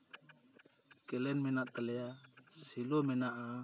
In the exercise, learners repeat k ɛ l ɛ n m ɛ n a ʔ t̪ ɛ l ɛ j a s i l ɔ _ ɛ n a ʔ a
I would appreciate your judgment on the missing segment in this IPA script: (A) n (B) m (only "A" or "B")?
B